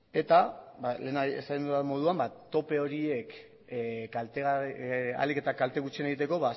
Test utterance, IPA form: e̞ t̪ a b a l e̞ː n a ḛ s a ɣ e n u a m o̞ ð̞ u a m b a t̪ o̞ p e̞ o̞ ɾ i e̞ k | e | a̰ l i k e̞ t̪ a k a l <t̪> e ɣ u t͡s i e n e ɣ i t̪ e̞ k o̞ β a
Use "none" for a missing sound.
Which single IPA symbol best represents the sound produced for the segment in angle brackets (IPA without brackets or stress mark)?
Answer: t̪